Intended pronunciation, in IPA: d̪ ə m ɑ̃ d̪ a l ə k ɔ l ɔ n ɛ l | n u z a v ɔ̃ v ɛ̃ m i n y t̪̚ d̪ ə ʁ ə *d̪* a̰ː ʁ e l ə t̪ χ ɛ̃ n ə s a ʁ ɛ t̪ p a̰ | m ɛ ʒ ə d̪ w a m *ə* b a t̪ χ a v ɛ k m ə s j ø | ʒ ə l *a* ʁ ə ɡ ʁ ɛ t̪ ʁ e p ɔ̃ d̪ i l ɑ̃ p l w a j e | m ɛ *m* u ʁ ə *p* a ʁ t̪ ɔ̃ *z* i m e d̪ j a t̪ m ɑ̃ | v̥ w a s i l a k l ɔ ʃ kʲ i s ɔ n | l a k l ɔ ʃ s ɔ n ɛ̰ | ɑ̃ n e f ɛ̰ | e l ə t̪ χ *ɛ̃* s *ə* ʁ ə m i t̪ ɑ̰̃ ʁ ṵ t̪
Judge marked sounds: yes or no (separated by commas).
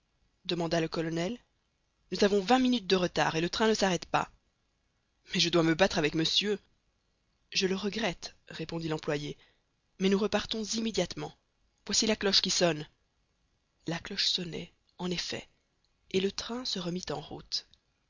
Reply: no, yes, no, no, yes, yes, yes, yes